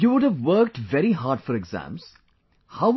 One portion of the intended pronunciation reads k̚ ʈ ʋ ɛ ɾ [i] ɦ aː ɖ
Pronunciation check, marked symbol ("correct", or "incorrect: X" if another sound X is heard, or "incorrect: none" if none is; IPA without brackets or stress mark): correct